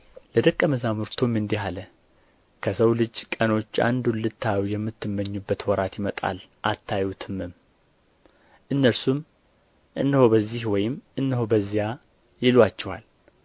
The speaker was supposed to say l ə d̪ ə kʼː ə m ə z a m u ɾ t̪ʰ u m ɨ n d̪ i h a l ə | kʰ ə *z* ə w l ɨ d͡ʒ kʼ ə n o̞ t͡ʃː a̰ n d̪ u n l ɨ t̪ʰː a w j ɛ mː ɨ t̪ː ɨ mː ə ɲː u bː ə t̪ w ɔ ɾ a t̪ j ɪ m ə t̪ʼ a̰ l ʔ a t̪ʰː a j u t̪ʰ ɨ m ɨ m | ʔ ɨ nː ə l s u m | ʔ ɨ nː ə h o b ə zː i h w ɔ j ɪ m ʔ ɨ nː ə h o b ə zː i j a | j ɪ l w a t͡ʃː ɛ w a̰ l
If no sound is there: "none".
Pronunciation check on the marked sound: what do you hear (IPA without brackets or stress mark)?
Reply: s